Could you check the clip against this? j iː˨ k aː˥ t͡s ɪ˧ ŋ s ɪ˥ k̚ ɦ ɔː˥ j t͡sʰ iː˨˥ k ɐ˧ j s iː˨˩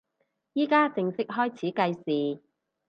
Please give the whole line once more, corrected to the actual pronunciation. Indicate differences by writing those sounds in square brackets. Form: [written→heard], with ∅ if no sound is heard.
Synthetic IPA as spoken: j [iː˨→iː˥] k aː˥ t͡s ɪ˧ ŋ s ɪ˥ k̚ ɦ ɔː˥ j t͡sʰ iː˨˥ k ɐ˧ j s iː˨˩